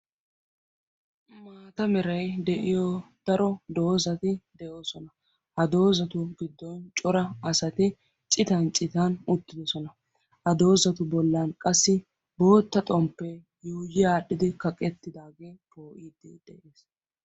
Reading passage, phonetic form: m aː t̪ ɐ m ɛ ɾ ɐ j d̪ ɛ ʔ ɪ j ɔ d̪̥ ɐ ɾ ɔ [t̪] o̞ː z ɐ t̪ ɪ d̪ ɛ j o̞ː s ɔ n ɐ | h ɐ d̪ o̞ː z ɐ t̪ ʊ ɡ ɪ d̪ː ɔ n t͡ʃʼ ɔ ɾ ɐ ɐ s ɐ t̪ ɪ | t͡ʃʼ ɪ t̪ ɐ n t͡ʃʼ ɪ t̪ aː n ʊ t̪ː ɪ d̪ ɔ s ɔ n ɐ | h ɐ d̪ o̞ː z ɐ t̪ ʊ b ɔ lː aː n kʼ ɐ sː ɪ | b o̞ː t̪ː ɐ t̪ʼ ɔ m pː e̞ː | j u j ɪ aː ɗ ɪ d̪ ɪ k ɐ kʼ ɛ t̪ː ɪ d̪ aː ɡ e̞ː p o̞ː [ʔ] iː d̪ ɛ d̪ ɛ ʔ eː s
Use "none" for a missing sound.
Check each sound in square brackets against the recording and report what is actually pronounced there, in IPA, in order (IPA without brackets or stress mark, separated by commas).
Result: d̪, ʔ